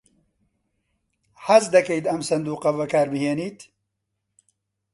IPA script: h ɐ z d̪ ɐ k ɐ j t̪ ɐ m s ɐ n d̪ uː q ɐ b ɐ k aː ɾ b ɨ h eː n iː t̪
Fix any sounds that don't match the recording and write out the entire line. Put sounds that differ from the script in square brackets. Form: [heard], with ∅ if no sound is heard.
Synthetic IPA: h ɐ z d̪ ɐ k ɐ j t̪ ɐ m s ɐ n d̪ uː q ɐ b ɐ k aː ɾ b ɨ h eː n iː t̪